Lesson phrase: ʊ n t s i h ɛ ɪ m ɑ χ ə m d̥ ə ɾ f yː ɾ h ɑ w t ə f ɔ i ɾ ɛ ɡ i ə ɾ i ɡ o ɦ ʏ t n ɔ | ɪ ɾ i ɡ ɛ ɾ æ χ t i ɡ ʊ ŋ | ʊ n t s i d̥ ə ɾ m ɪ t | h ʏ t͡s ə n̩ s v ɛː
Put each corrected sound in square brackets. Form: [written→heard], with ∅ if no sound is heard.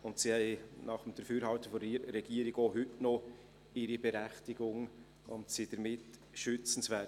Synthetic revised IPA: ʊ n t s i h ɛ ɪ [m→n] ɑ χ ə m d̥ ə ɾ f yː ɾ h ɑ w t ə f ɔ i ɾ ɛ ɡ i ə ɾ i ɡ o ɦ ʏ t n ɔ | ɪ ɾ i [ɡ→b] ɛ ɾ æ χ t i ɡ ʊ ŋ | ʊ n t s i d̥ ə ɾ m ɪ t | [h→ʃ] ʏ t͡s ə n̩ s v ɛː